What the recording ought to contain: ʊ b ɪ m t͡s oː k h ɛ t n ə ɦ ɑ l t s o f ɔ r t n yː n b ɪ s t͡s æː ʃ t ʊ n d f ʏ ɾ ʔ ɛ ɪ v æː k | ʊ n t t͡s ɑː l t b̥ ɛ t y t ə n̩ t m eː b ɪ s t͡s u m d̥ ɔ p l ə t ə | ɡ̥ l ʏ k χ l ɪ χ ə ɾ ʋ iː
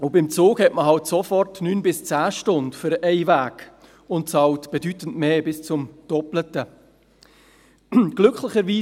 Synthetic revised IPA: ʊ b ɪ m t͡s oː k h ɛ t m ə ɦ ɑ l t s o f ɔ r t n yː n b ɪ s t͡s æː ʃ t ʊ n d f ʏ ɾ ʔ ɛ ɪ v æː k | ʊ n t t͡s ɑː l t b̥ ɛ d y t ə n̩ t m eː b ɪ s t͡s ʊ m d̥ ɔ p l ə t ə | ɡ̥ l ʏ k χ l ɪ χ ə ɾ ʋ iː